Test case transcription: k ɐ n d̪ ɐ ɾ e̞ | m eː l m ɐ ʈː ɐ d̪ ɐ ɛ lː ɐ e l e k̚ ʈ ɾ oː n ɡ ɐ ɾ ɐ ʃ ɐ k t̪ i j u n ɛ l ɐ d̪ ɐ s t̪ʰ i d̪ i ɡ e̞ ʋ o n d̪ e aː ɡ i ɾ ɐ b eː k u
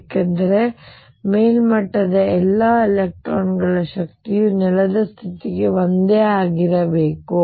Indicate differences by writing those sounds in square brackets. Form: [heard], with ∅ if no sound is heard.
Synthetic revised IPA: k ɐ n d̪ ɐ ɾ e̞ | m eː l m ɐ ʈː ɐ d̪ ɐ ɛ lː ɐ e l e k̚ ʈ ɾ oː n ɡ ɐ [ɭ] ɐ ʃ ɐ k t̪ i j u n ɛ l ɐ d̪ ɐ s t̪ʰ i [t̪] i ɡ e̞ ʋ o n d̪ e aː ɡ i ɾ ɐ b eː k u